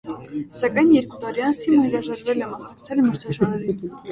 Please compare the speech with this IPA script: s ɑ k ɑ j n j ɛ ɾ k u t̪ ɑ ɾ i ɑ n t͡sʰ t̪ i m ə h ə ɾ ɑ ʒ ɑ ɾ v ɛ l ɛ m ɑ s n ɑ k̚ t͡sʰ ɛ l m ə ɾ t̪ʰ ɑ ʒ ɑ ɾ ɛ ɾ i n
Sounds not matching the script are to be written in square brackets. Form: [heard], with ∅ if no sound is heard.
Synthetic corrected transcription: s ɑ k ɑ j n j ɛ ɾ k u t̪ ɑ ɾ i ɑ n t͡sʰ [t̪ʰ] i m ə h ə ɾ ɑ ʒ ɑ ɾ v ɛ l ɛ m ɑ s n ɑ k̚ t͡sʰ ɛ l m ə ɾ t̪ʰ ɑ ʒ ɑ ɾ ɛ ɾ i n